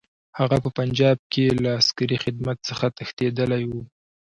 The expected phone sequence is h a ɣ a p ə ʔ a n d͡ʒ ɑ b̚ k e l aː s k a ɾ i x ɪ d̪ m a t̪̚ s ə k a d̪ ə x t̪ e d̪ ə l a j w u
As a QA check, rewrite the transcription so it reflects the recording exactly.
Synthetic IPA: h a ɣ a p ə p a n d͡ʒ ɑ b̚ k e l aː s k a ɾ i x ɪ d̪ m a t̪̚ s ə x a t̪ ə x t̪ e d̪ ə l a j w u